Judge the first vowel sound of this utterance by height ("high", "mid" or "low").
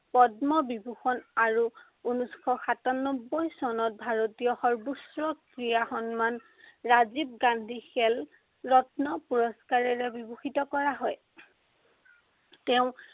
mid